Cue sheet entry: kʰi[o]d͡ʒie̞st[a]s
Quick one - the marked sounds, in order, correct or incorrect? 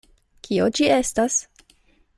correct, correct

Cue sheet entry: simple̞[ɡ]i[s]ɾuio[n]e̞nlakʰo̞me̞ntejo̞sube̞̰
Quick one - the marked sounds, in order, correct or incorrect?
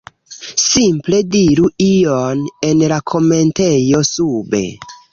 incorrect, incorrect, correct

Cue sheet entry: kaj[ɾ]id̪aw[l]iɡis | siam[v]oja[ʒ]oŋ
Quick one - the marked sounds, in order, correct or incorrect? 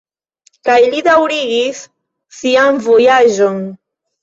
incorrect, incorrect, correct, correct

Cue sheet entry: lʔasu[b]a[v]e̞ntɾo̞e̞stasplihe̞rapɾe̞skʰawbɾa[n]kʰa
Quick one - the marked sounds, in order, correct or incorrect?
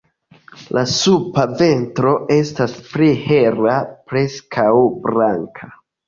incorrect, correct, incorrect

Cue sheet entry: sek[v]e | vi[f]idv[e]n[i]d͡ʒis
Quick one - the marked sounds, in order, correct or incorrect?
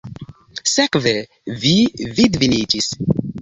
correct, incorrect, incorrect, correct

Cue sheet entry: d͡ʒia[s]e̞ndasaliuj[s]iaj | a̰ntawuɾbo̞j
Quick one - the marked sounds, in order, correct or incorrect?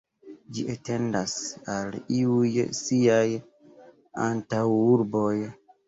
incorrect, correct

